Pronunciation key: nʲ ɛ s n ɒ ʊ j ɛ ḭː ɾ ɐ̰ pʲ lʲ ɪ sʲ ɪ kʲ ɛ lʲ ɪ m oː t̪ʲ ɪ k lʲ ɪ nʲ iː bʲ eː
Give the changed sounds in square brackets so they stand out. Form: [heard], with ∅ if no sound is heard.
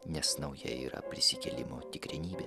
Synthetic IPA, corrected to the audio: nʲ ɛ s n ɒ ʊ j ɛ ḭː ɾ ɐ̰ pʲ [ɾʲ] ɪ sʲ ɪ kʲ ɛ lʲ ɪ m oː t̪ʲ ɪ k [ɾʲ] ɪ nʲ iː bʲ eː